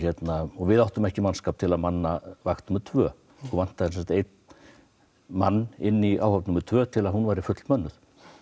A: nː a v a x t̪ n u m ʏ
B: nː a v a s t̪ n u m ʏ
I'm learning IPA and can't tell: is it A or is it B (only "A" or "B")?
A